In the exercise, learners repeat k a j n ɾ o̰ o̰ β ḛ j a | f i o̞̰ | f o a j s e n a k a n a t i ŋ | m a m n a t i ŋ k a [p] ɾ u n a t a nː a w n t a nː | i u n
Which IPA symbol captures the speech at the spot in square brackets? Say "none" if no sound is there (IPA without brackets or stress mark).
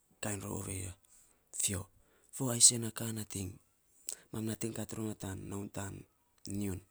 t